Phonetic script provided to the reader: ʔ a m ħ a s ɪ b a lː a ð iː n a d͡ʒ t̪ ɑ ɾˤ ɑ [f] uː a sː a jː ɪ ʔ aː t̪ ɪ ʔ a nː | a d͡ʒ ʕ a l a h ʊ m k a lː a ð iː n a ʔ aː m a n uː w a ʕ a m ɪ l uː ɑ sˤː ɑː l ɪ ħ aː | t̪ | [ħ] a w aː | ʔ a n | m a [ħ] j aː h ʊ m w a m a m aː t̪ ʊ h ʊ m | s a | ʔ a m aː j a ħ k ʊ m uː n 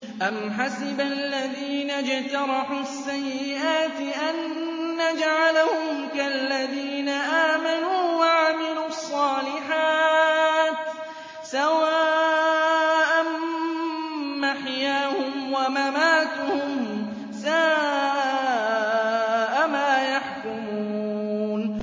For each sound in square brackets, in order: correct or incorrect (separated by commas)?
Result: incorrect, incorrect, correct